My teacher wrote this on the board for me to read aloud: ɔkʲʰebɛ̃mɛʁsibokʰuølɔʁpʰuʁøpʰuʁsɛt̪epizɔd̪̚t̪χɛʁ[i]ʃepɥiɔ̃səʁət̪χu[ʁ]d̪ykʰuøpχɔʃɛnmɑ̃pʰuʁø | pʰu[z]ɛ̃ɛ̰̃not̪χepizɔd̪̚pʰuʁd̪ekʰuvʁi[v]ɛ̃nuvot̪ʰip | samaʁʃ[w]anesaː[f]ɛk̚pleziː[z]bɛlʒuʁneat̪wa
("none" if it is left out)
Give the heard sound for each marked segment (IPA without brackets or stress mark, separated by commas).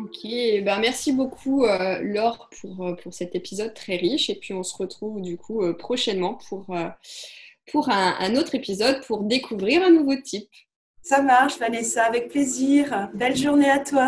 i, v, ʁ, ʁ, v, v, ʁ